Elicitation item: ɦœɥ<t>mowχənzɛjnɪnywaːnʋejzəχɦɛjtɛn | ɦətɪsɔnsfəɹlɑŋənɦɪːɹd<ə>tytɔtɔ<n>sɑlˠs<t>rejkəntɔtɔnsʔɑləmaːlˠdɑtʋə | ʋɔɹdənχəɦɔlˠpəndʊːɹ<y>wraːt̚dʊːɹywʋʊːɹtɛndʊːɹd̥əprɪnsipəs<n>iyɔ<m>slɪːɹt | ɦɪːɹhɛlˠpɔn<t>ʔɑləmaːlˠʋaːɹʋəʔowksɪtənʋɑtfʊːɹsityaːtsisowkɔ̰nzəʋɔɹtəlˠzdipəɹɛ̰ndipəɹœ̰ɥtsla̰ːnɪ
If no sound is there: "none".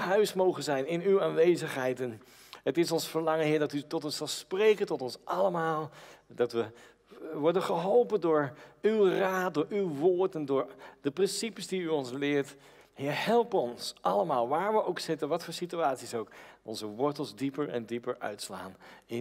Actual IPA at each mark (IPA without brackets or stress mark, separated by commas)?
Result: s, ɑ, n, p, y, d, n, s